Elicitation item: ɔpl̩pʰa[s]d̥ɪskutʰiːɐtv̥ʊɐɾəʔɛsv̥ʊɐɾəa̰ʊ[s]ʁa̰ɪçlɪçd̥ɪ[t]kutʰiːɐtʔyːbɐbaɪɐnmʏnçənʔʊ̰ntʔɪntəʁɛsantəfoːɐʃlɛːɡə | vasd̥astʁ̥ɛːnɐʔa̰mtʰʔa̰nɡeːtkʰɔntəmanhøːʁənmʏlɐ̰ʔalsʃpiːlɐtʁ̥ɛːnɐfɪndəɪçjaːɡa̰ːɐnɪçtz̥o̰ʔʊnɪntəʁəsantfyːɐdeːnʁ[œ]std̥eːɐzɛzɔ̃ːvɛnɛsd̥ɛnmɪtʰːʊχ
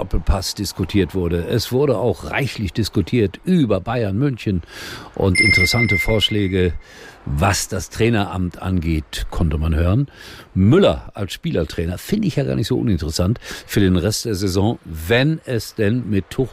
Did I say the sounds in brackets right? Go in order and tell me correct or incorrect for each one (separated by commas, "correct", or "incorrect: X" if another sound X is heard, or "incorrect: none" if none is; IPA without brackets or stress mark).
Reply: correct, incorrect: x, incorrect: s, incorrect: ɛ